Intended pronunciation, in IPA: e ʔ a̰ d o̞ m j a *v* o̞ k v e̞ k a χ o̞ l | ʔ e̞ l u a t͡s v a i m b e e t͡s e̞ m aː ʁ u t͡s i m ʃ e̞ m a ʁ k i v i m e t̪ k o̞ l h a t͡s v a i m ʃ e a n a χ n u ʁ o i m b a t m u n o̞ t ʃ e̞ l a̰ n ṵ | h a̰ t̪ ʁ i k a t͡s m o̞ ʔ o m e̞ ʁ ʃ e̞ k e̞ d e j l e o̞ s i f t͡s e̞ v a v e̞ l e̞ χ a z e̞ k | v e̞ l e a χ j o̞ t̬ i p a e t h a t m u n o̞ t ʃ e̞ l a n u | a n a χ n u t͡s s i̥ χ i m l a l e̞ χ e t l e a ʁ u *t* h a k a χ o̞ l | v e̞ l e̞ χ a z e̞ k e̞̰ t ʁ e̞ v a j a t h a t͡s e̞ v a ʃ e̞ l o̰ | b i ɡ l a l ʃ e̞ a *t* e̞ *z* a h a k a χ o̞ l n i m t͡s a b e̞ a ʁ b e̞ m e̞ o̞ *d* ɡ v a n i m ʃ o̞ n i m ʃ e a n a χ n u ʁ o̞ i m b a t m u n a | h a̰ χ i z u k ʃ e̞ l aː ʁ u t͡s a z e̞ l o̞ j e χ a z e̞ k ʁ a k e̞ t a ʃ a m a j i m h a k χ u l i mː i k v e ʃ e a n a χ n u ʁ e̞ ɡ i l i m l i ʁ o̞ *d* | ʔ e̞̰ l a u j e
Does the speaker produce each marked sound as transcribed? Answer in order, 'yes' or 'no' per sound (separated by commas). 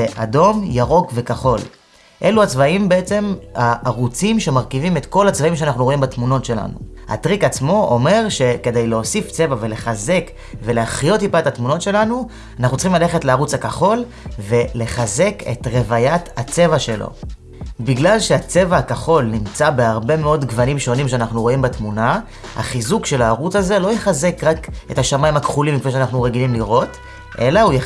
no, no, no, no, yes, no